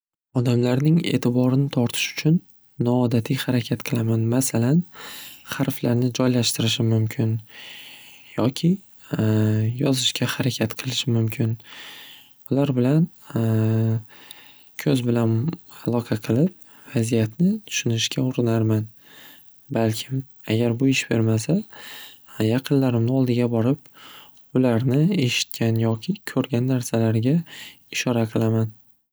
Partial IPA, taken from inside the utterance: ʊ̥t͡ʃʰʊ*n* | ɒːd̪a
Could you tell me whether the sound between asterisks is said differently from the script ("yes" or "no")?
yes